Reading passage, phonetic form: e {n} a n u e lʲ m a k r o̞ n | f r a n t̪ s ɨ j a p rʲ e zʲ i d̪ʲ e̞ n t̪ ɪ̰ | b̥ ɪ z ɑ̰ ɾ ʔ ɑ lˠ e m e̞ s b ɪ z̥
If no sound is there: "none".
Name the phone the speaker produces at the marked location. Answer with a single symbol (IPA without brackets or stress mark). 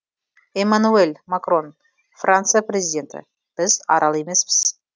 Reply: m